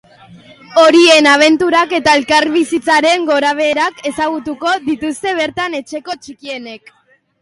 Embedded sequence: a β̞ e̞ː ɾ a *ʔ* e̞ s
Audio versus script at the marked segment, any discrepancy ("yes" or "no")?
yes